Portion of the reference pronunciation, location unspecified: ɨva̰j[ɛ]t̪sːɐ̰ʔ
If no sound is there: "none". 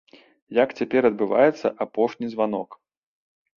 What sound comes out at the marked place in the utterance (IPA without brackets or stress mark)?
ɛ